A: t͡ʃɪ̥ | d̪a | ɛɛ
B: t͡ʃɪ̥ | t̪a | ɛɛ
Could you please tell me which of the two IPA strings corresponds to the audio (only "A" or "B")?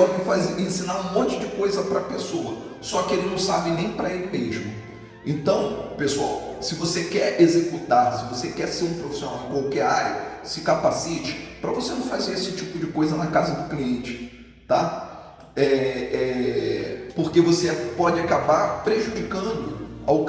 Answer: B